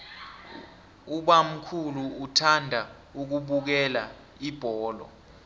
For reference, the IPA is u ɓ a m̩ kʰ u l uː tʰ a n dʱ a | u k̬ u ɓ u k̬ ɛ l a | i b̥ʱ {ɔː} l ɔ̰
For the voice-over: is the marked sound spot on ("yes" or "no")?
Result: yes